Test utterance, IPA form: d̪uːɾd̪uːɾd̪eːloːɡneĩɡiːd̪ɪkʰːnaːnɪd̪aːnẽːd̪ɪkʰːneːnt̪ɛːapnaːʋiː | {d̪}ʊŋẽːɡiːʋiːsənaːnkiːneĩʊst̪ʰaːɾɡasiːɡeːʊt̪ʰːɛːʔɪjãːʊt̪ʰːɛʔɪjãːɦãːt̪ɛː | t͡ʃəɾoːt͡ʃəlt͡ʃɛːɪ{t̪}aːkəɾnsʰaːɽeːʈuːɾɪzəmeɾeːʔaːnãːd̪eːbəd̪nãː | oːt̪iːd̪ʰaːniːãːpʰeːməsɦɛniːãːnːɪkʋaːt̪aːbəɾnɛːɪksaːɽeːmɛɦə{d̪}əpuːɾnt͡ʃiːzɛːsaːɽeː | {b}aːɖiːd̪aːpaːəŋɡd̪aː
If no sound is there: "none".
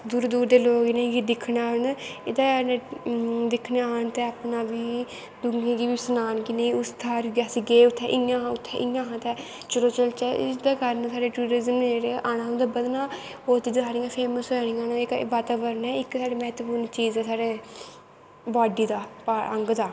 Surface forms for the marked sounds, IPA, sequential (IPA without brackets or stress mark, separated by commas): d̪, d̪, t̪, b